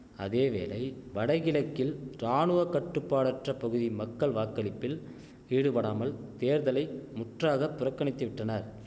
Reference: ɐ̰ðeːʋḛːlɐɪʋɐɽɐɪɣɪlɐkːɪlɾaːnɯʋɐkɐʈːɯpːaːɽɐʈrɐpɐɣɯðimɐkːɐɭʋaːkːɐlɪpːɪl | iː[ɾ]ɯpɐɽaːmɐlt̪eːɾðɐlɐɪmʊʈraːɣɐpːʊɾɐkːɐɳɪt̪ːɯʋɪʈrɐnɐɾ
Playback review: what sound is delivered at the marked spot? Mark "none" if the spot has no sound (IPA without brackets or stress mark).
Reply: ɽ